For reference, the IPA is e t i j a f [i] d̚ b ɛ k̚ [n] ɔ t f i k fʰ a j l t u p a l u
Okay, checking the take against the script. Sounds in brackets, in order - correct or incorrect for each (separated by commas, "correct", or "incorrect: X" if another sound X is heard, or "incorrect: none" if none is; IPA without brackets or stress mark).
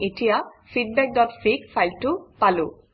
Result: correct, incorrect: d